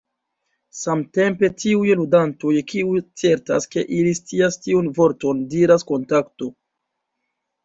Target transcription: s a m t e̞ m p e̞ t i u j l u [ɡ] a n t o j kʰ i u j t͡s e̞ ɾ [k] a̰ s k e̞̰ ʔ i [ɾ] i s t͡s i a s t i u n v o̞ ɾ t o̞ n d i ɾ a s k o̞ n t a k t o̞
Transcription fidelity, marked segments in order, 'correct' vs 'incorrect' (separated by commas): incorrect, incorrect, incorrect